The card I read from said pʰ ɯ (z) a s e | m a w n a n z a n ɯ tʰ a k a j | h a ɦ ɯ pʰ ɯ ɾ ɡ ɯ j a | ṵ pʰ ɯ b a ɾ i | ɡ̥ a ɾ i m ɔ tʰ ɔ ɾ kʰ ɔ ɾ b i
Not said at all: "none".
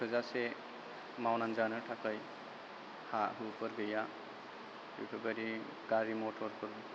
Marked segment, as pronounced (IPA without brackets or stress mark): z